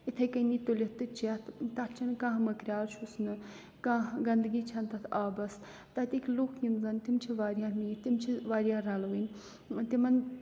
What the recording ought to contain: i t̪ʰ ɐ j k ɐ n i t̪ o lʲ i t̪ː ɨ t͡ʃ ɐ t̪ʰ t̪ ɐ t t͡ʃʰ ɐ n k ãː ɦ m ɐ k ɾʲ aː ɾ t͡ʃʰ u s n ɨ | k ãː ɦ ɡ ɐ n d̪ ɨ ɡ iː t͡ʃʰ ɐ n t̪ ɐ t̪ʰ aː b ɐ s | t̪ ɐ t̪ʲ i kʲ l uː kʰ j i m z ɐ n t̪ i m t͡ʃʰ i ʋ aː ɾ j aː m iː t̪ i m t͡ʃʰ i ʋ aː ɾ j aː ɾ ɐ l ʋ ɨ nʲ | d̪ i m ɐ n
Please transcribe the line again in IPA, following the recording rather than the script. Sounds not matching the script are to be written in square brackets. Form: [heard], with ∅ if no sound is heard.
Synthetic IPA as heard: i t̪ʰ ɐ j k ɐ n i t̪ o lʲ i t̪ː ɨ t͡ʃ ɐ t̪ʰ t̪ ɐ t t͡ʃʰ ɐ n k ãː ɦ m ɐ k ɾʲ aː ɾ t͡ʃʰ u s n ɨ | k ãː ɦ ɡ ɐ n d̪ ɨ ɡ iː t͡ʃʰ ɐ n t̪ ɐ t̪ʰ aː b ɐ s | t̪ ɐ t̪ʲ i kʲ l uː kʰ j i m z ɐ n t̪ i m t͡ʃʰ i ʋ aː ɾ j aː m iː t̪ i m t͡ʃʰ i ʋ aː ɾ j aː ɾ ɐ l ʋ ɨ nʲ | [t̪] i m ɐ n